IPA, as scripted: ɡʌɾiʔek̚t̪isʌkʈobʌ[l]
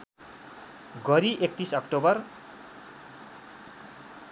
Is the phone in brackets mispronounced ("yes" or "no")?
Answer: yes